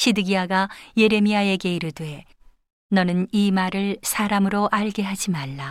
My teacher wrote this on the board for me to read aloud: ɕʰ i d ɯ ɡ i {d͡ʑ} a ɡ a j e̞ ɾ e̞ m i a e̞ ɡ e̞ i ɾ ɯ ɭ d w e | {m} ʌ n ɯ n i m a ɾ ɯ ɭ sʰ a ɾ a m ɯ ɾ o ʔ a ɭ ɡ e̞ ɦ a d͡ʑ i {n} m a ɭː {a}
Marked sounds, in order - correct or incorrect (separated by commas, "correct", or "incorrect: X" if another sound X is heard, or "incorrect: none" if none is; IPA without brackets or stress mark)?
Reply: incorrect: none, incorrect: n, incorrect: none, correct